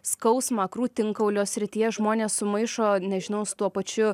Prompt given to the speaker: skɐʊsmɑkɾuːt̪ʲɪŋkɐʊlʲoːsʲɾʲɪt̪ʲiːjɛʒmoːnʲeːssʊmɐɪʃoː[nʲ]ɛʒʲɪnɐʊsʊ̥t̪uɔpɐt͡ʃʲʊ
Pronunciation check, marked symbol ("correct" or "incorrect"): correct